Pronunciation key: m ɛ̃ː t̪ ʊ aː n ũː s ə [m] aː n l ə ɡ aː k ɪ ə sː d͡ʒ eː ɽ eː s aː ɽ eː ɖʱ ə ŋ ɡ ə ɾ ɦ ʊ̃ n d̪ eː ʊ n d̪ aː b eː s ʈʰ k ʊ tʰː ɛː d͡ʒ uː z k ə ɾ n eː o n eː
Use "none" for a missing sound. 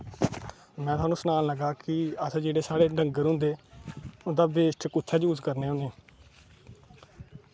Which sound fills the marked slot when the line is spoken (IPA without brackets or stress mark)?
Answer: n